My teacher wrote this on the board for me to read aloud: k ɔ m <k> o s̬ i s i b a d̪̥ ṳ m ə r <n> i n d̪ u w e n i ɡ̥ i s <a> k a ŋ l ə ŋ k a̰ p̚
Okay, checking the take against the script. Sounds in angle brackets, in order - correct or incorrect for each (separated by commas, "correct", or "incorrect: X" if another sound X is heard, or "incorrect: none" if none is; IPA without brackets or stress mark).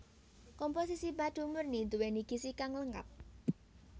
incorrect: p, correct, incorrect: i